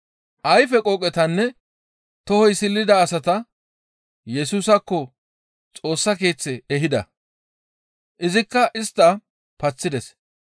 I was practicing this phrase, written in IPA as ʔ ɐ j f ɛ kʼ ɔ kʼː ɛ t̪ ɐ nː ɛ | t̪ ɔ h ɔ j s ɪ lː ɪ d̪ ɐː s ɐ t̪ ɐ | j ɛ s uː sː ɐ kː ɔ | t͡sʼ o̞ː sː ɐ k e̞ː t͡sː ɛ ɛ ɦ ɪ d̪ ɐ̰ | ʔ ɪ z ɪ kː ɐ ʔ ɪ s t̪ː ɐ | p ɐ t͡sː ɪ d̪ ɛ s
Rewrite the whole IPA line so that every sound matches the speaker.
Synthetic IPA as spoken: ʔ ɐ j f ɛ kʼ ɔ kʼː ɛ t̪ ɐ nː ɛ | t̪ ɔ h ɔ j s ɪ lː ɪ d̪ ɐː s ɐ t̪ ɐ | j ɛ s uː s ɐ kː ɔ | t͡sʼ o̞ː sː ɐ k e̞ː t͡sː ɛ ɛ ɦ ɪ d̪ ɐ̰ | ʔ ɪ z ɪ kː ɐ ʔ ɪ s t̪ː ɐ | p ɐ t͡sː ɪ d̪ ɛ s